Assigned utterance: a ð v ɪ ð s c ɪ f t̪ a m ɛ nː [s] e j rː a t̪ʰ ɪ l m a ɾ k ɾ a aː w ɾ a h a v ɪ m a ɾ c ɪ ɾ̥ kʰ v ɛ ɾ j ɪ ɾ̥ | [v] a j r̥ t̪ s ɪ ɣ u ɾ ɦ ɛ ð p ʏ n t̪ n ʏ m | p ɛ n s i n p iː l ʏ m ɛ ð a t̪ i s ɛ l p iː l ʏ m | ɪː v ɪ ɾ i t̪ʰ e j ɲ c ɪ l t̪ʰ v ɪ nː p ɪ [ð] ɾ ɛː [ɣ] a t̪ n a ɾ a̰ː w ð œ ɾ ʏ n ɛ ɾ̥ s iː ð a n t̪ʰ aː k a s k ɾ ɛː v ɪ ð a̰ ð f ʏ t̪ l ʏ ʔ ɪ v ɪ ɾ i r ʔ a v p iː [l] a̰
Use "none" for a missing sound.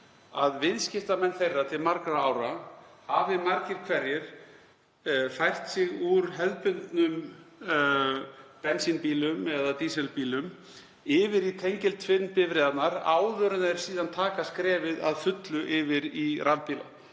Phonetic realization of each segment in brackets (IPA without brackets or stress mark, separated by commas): θ, f, v, ð, l